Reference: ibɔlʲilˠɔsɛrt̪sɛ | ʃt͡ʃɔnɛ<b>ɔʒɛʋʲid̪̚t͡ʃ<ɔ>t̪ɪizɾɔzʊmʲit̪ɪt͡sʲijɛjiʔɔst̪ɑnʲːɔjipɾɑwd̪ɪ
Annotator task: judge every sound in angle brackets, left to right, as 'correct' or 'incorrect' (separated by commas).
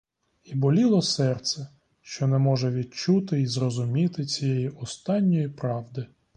incorrect, incorrect